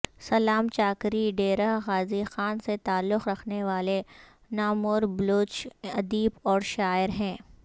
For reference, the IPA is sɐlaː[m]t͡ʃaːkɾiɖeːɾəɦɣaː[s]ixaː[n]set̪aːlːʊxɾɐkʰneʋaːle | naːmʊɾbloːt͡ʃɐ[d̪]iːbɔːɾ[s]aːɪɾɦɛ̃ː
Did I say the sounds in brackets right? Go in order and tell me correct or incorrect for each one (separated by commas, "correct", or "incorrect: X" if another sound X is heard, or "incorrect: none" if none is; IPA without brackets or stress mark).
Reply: correct, incorrect: z, correct, correct, incorrect: ʃ